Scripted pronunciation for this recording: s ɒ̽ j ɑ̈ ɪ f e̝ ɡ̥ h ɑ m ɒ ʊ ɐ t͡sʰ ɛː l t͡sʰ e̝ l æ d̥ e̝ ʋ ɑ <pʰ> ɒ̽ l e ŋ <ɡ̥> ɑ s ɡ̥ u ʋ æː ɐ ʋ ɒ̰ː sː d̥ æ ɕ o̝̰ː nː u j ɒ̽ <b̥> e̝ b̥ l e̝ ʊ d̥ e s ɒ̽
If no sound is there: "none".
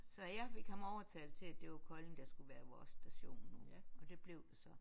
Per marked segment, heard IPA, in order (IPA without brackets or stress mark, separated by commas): kʰ, d̥, d̥